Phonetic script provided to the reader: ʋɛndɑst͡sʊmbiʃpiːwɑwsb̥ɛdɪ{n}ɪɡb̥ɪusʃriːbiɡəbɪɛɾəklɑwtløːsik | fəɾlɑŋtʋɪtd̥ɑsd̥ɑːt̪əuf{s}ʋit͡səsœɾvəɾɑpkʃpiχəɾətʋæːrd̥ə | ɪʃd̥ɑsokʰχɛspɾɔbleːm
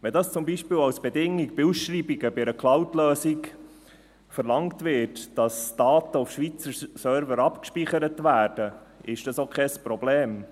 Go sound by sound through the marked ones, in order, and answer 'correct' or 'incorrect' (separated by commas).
incorrect, incorrect